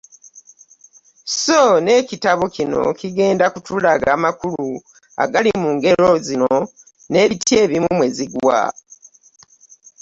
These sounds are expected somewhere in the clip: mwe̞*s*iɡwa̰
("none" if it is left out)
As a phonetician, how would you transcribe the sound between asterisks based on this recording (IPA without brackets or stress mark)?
z